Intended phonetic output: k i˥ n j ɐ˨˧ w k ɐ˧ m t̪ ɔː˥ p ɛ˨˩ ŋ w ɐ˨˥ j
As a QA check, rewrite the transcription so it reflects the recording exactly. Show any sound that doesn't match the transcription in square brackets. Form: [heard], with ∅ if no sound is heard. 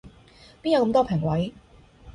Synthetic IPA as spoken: [p] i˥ n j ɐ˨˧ w k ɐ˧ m t̪ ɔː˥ [pʰ] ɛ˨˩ ŋ w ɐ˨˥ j